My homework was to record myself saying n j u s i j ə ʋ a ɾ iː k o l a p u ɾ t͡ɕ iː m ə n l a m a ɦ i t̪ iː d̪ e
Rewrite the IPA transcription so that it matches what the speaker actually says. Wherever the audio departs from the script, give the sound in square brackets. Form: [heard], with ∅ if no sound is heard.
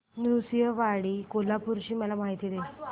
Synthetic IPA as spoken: n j u s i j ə ʋ a [ɽ] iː k o l a p u ɾ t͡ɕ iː m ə [∅] l a m a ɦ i t̪ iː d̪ e